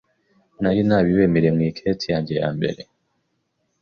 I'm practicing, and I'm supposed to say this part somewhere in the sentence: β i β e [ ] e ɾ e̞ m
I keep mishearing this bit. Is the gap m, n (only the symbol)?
m